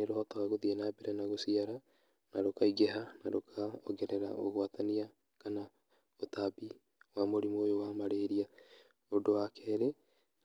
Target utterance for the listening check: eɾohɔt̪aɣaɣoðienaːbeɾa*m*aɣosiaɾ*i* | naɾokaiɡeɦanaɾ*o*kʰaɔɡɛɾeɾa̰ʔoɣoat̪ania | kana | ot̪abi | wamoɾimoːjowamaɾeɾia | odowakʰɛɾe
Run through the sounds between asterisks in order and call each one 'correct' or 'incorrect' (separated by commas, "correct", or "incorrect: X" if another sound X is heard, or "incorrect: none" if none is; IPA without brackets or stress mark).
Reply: incorrect: n, incorrect: a, correct